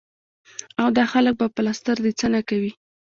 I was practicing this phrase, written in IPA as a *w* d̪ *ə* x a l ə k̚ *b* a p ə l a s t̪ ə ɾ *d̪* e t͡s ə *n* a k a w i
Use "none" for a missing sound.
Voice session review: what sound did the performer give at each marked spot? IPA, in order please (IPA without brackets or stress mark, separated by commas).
w, ɑ, b, d̪, n